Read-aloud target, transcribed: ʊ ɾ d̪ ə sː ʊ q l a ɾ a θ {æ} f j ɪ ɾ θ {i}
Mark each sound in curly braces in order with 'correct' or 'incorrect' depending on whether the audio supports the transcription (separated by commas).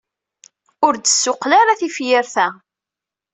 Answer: incorrect, incorrect